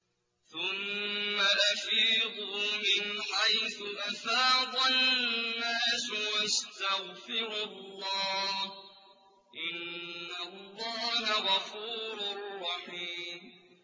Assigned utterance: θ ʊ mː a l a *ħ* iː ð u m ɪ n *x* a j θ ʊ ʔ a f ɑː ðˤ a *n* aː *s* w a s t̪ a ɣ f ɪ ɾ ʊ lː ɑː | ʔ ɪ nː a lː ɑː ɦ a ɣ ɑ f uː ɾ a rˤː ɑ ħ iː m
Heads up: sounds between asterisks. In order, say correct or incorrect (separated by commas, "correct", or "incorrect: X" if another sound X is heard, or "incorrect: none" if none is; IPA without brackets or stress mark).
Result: incorrect: f, incorrect: ħ, incorrect: nː, correct